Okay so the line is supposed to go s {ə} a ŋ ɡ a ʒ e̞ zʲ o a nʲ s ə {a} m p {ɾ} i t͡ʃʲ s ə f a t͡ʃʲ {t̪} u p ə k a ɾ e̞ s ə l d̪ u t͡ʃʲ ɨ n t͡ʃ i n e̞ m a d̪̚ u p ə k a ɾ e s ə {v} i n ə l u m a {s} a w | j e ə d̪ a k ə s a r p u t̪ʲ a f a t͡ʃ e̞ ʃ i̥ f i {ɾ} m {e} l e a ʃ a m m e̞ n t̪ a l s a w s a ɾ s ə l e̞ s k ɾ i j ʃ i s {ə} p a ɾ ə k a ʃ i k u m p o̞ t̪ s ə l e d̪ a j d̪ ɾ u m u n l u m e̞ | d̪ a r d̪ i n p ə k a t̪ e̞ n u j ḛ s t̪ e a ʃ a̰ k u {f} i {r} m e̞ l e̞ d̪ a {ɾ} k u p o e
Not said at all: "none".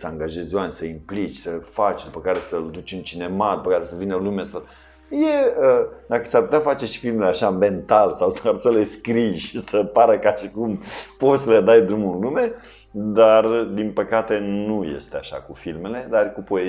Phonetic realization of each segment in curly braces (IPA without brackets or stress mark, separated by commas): ə, i, l, d̪, v, s, l, e, ə, f, l, r